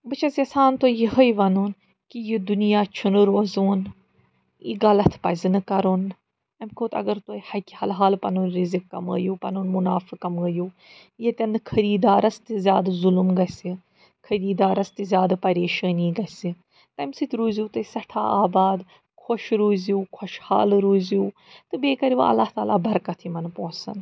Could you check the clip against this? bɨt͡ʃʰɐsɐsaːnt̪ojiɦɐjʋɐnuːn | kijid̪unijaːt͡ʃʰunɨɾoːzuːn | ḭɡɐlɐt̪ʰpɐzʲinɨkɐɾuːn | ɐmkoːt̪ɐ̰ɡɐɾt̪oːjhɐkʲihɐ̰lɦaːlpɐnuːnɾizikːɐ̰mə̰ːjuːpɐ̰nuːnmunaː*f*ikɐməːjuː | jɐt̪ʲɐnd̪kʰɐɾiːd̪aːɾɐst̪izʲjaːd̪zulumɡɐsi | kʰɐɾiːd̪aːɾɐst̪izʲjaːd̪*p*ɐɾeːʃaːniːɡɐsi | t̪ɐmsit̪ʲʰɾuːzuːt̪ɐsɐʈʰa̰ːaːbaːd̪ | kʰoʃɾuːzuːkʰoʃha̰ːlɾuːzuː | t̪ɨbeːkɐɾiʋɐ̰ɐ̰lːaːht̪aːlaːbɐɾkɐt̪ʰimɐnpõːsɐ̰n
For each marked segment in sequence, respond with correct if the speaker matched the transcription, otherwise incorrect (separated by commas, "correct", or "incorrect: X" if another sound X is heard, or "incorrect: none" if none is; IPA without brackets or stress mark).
correct, correct